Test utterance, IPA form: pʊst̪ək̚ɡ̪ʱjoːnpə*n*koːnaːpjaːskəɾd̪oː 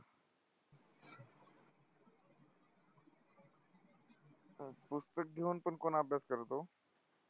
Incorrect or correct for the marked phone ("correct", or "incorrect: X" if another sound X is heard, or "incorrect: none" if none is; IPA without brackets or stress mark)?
correct